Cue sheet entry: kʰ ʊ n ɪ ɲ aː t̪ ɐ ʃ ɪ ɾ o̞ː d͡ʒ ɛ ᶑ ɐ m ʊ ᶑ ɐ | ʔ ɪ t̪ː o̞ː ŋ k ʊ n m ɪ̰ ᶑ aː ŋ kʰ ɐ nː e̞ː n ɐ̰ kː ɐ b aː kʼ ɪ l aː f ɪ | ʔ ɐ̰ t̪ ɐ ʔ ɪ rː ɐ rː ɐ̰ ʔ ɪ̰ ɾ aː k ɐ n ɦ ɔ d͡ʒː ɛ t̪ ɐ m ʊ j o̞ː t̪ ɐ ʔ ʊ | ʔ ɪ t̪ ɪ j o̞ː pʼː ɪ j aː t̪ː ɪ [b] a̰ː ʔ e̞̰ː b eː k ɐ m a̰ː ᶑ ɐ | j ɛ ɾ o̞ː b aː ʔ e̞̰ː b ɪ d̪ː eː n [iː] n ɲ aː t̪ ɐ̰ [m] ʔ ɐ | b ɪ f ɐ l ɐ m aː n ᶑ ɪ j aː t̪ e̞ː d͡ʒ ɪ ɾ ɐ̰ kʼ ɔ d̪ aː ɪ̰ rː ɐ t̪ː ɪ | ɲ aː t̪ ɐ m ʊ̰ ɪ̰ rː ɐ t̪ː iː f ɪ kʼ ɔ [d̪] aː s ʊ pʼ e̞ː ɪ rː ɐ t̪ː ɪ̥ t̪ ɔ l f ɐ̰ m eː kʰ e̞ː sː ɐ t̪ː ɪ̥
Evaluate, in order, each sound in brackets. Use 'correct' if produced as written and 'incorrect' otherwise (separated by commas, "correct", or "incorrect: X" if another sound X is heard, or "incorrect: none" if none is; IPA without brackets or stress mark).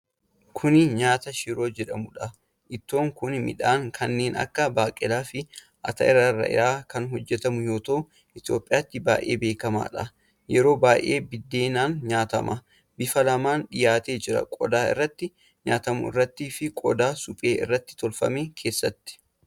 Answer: correct, incorrect: aː, correct, correct